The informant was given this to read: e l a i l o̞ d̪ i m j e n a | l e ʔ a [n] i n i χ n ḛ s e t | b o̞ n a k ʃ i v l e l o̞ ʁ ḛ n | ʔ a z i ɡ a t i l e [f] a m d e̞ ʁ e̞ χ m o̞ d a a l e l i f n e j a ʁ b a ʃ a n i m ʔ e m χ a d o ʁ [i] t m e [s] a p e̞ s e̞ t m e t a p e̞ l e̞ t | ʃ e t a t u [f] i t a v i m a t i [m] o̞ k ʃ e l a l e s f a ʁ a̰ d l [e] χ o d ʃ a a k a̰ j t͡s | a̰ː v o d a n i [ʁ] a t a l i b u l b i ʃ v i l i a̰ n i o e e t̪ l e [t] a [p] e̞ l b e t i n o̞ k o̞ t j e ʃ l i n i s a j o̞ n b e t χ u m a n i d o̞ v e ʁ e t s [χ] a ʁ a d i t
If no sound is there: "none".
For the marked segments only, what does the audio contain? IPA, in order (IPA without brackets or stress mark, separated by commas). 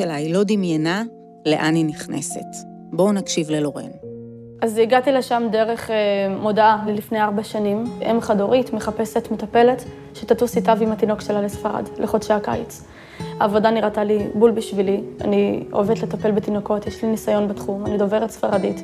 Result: n, ʃ, i, χ, s, n, e, ʁ, t, p, f